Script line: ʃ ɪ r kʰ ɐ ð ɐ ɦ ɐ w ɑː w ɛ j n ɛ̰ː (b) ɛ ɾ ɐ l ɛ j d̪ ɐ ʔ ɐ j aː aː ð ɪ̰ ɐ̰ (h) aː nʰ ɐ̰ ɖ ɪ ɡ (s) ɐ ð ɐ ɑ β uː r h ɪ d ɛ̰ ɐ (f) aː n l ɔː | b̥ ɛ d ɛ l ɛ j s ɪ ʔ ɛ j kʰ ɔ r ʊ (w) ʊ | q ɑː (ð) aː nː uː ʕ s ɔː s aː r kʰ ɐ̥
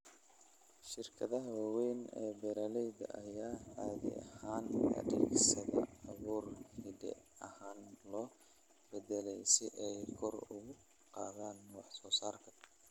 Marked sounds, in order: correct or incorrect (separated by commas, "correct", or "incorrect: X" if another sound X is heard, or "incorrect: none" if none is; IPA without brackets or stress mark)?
correct, correct, correct, incorrect: h, incorrect: ɣ, correct